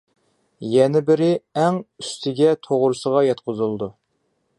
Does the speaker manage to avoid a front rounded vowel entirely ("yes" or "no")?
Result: no